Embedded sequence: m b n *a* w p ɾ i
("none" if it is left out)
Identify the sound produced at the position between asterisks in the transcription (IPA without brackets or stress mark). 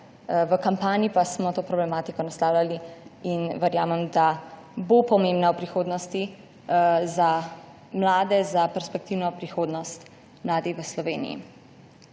a